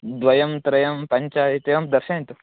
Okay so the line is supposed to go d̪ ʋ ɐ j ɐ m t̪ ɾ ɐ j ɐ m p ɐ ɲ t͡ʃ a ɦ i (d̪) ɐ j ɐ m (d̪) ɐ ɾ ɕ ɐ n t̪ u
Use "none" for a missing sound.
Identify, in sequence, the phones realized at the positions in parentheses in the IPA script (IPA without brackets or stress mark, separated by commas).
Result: t̪, d̪